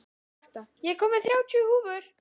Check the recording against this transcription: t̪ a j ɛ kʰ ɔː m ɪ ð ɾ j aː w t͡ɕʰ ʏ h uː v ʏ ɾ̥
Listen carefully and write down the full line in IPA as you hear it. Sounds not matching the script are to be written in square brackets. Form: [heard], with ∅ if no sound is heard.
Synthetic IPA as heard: t̪ a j ɛ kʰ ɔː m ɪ [θ] ɾ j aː w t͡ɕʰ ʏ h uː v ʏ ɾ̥